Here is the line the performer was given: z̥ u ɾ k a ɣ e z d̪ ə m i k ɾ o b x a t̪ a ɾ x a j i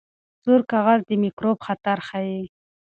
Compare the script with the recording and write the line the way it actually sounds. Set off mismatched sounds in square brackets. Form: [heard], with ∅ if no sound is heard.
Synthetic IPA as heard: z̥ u ɾ k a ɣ [a] z d̪ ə m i k ɾ o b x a t̪ a ɾ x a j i